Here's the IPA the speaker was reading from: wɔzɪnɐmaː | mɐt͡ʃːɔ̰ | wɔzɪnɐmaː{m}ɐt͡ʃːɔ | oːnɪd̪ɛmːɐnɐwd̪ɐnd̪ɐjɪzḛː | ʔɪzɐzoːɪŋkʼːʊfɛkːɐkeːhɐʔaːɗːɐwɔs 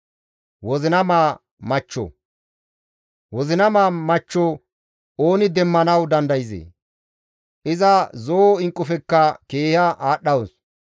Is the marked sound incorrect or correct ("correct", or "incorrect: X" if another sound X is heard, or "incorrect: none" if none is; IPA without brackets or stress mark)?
correct